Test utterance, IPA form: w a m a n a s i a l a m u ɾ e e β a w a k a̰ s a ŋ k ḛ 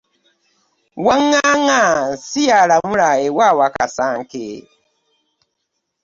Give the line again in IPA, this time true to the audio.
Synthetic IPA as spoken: w a ŋ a ŋ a s i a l a m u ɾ a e w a w a k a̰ s a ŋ k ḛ